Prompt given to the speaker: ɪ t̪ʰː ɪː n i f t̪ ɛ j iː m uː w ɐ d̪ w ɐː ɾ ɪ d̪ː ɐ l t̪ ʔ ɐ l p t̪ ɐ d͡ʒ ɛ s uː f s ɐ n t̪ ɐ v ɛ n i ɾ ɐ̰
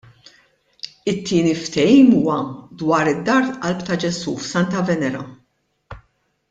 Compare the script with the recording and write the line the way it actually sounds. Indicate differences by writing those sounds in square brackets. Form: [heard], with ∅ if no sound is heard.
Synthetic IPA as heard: ɪ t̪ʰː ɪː n i f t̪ ɛ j iː m uː w ɐ d̪ w ɐː ɾ ɪ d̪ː ɐ [ɾ] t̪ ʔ ɐ l p t̪ ɐ d͡ʒ ɛ s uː f s ɐ n t̪ ɐ v ɛ n [ɛ] ɾ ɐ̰